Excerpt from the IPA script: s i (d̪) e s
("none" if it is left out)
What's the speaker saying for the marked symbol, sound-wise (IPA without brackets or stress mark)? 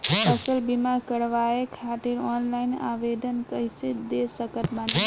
d̪